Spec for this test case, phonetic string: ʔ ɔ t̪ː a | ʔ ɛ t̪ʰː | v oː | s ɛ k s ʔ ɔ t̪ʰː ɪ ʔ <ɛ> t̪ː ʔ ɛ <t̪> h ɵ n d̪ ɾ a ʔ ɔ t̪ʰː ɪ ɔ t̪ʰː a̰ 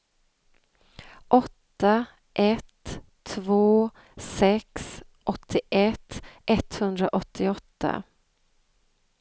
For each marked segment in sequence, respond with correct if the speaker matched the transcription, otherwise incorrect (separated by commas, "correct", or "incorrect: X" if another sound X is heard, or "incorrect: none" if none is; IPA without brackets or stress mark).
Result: correct, correct